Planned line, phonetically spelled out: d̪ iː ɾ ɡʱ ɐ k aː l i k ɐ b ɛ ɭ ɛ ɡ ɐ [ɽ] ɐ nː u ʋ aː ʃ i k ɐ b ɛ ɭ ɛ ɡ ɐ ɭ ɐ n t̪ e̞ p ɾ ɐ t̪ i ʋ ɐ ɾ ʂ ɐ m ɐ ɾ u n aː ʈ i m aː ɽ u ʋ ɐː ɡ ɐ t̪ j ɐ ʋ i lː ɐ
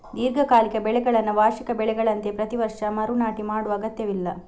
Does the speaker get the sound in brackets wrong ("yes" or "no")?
yes